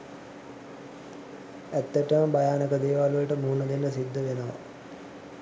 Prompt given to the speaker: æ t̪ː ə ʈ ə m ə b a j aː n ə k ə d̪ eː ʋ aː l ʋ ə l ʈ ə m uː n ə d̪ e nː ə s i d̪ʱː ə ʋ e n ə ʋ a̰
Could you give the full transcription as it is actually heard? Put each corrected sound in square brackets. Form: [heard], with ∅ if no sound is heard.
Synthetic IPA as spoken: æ t̪ː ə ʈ ə m ə b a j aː n ə k ə d̪ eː ʋ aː l ʋ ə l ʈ ə m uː n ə d̪ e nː ə s i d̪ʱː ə ʋ e n ə ʋ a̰